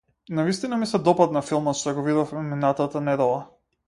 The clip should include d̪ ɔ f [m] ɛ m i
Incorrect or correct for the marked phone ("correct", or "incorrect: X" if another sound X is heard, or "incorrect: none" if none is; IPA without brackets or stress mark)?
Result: correct